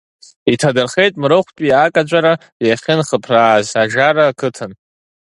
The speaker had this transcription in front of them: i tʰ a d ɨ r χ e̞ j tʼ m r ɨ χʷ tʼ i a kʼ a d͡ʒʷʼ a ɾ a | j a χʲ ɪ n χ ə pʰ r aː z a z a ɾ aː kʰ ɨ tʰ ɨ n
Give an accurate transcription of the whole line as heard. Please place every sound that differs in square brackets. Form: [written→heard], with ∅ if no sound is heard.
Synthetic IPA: i tʰ a d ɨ r χ e̞ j tʼ m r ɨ χʷ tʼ i a kʼ a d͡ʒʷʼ a ɾ a | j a χʲ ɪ n χ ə pʰ r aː z a [z→ʒ] a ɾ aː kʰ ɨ tʰ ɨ n